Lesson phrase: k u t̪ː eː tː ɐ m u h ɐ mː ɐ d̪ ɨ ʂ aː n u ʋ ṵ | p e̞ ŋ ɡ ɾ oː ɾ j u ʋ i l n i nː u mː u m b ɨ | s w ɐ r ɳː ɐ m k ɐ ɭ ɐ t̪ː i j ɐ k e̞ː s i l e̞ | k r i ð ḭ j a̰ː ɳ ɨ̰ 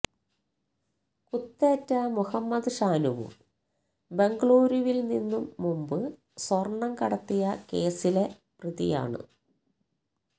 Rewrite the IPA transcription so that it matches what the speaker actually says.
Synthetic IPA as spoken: k u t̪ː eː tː ɐ m u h ɐ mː ɐ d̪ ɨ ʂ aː n u ʋ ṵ | b e̞ ŋ ɡ ɭ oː ɾ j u ʋ i l n i nː u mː u m b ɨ | s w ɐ r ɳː ɐ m k ɐ ɽ ɐ t̪ː i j ɐ k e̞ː s i l e̞ | p r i ð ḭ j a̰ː ɳ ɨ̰